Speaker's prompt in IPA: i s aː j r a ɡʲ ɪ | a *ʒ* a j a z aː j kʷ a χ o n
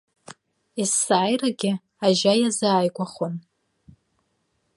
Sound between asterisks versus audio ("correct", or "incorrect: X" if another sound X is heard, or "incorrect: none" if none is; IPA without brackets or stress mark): correct